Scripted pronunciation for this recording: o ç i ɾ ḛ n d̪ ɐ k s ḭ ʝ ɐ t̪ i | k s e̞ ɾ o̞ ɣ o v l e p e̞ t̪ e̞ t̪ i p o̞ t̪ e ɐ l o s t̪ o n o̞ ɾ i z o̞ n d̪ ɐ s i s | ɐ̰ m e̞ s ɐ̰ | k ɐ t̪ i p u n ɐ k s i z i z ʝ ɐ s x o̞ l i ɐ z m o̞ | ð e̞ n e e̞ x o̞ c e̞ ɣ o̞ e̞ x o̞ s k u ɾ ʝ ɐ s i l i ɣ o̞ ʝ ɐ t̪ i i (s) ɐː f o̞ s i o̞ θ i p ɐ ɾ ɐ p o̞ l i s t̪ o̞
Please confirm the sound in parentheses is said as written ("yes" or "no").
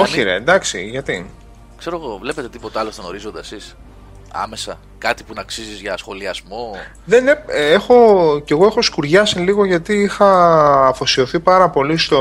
no